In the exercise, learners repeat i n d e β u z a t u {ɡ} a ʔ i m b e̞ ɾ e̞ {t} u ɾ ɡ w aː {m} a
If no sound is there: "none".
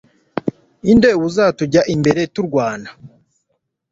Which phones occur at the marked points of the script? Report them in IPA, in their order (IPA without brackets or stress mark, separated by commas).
ɟ, t, n